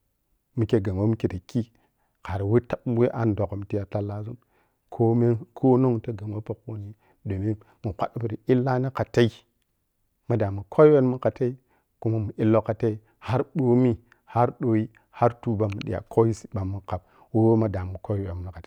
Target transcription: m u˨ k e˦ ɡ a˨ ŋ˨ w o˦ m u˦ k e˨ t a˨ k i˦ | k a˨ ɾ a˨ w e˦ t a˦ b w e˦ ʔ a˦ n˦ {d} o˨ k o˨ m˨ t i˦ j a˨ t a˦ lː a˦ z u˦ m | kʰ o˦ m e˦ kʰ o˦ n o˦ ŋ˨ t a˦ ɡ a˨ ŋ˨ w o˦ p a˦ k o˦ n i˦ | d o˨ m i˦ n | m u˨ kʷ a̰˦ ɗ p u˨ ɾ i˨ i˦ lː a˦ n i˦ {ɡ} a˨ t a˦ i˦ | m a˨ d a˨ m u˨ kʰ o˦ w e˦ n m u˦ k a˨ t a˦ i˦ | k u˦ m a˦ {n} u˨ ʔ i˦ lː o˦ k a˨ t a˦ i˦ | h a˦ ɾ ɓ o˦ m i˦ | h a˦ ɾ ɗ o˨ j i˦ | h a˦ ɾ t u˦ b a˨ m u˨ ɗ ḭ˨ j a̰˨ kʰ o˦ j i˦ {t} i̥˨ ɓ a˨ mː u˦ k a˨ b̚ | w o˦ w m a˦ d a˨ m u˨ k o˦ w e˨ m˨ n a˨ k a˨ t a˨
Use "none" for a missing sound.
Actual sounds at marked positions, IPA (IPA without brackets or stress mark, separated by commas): d, k, m, s